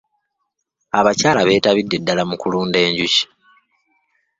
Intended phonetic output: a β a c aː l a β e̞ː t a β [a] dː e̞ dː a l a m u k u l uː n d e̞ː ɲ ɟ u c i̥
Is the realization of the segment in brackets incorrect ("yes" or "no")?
yes